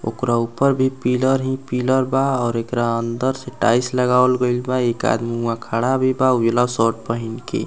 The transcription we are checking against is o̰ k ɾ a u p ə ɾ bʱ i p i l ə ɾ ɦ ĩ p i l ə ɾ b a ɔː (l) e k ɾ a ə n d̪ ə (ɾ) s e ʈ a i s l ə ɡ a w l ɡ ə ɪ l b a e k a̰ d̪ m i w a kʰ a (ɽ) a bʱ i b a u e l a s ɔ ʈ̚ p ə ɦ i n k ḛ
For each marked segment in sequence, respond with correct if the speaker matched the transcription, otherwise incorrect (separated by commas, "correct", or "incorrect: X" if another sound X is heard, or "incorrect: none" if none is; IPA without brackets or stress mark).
incorrect: ɾ, correct, correct